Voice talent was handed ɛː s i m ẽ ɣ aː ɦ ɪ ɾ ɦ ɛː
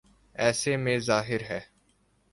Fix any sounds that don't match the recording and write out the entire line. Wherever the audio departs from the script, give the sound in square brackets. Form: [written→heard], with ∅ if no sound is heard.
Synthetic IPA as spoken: ɛː s [i→e] m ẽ [ɣ→z] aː ɦ ɪ ɾ ɦ ɛː